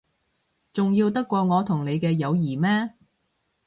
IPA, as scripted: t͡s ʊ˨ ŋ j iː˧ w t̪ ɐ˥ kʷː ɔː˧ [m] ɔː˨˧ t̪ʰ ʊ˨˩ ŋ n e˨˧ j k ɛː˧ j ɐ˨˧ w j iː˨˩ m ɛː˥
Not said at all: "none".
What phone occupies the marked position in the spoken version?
ŋ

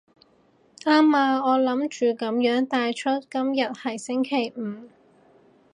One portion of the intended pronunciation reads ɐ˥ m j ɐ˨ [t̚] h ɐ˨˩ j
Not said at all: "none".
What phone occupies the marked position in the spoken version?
t̚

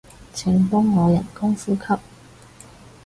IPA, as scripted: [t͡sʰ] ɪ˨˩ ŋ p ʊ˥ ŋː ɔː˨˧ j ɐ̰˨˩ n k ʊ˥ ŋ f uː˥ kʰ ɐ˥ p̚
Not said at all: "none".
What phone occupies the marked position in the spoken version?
t͡sʰ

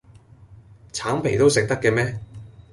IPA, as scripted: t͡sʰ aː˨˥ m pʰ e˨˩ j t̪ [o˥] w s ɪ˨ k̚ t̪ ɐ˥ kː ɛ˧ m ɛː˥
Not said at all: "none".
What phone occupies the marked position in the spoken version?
o˥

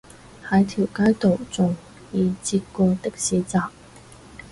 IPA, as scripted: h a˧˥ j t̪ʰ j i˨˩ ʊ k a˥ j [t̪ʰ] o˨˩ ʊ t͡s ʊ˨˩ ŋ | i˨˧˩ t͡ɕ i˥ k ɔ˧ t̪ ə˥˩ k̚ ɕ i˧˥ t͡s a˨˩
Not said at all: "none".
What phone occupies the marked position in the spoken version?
t̪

